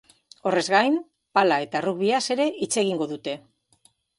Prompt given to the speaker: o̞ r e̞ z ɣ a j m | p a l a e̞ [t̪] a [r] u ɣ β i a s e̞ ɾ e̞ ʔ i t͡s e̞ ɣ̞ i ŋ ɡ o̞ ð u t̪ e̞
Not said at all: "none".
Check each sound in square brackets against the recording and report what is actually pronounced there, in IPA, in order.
t̪, r

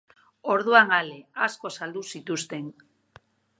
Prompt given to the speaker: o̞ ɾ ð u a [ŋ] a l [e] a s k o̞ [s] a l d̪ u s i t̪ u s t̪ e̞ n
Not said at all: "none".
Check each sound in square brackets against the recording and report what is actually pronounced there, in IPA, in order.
ŋ, e, s

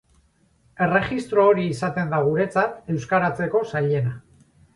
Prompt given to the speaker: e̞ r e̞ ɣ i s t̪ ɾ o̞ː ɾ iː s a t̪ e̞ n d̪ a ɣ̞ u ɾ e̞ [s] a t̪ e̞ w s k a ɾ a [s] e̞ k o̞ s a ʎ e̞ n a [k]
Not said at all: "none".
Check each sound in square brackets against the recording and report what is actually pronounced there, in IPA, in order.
t͡s, t͡s, none

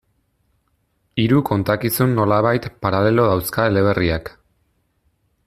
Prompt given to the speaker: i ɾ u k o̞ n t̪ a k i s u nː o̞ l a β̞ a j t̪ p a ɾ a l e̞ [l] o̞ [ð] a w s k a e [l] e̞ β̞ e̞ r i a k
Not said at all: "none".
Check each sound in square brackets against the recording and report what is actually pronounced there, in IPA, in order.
l, ð, l

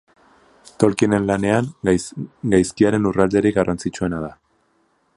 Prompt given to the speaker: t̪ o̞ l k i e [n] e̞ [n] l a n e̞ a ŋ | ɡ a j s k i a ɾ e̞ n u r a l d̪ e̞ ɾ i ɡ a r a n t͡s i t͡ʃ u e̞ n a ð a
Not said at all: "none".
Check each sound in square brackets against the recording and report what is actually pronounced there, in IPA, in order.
n, n

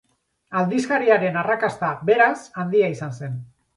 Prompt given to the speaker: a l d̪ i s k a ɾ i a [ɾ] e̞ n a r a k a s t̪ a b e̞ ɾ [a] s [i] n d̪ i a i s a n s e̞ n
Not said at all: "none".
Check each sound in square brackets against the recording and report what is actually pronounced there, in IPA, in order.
ɾ, a, a

